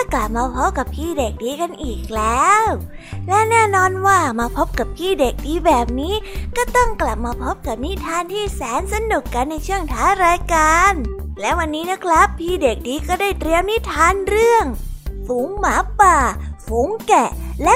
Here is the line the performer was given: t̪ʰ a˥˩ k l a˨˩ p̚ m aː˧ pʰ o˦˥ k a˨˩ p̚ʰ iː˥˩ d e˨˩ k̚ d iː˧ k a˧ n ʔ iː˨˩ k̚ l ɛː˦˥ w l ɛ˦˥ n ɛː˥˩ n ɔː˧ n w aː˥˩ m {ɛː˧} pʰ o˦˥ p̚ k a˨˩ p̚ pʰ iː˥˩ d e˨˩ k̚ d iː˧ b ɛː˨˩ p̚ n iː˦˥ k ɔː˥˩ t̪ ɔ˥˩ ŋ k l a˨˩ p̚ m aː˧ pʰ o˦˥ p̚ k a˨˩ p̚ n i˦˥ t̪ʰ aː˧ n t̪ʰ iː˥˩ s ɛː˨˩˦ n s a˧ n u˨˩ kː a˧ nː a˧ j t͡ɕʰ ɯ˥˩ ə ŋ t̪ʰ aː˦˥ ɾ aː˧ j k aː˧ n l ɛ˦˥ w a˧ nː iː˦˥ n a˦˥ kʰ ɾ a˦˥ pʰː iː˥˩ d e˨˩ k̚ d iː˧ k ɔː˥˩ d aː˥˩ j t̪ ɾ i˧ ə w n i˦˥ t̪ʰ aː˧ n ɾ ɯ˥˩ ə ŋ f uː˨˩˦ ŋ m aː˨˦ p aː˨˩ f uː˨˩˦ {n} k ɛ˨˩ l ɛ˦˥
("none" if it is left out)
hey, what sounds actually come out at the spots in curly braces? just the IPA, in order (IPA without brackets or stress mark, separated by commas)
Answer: aː˧, ŋ